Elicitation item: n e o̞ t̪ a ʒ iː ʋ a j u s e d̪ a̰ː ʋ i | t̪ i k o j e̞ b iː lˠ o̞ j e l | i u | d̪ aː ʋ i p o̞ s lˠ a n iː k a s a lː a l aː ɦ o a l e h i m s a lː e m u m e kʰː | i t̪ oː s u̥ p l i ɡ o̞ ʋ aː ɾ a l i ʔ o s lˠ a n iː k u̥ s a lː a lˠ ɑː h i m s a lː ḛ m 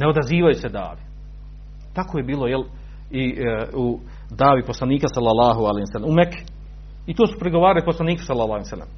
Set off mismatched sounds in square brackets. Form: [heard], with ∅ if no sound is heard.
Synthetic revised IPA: n e o̞ [d̪] a [z] iː ʋ a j u s e d̪ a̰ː ʋ i | t̪ [a] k o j e̞ b iː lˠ o̞ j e l | i u | d̪ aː ʋ i p o̞ s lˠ a n iː k a s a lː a l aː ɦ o a l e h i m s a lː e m u m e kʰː | i t̪ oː s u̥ p [ɾ] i ɡ o̞ ʋ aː ɾ a l i [p] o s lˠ a n iː k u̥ s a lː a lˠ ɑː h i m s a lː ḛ m